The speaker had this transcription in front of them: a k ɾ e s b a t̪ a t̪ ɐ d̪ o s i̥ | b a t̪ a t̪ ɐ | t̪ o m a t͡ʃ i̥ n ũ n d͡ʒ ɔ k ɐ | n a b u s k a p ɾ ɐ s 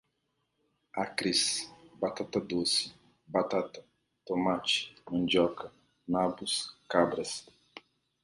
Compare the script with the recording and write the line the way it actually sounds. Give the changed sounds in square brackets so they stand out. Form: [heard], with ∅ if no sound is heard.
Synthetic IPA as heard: a k ɾ [i] s b a t̪ a t̪ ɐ d̪ o s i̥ | b a t̪ a t̪ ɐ | t̪ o m a t͡ʃ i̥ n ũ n d͡ʒ ɔ k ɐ | n a b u s k a [b] ɾ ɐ s